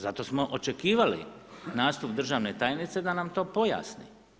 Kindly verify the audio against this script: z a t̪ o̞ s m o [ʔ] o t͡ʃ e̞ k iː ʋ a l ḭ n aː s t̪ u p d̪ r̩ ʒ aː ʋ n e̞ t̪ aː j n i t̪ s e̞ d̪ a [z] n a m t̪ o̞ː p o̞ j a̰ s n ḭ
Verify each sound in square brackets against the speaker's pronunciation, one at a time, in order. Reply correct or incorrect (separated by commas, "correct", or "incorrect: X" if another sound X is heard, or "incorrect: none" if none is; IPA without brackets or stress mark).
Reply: correct, incorrect: none